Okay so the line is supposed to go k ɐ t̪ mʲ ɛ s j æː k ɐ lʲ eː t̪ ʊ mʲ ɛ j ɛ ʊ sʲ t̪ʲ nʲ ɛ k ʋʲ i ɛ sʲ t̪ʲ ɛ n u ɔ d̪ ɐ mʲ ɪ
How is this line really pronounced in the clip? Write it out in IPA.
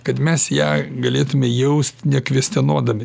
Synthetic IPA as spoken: k ɐ t̪ mʲ ɛ s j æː ɡ ɐ lʲ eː t̪ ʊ mʲ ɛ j ɛ ʊ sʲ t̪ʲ nʲ ɛ k ʋʲ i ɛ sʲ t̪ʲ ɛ n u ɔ d̪ ɐ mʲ ɪ